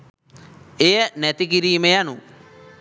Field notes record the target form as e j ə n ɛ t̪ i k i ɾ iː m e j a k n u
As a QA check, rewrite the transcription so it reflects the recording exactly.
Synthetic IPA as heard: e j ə n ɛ t̪ i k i ɾ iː m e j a n u